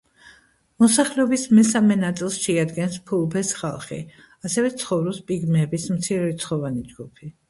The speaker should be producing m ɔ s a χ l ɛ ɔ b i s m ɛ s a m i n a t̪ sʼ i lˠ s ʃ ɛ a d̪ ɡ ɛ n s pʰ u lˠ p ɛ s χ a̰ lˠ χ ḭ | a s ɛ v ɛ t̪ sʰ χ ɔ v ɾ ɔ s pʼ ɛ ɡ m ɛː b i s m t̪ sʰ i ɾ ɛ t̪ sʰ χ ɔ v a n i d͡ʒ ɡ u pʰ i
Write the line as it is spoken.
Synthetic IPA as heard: m ɔ s a χ l ɛ ɔ b i s m ɛ s a m ɛ n a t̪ sʼ i lˠ s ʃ ɛ a d̪ ɡ ɛ n s pʰ u lˠ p ɛ s χ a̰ lˠ χ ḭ | a s ɛ v ɛ t̪ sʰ χ ɔ v ɾ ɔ s pʼ i ɡ m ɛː b i s m t̪ sʰ i ɾ ɛ t̪ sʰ χ ɔ v a n i d͡ʒ ɡ u pʰ i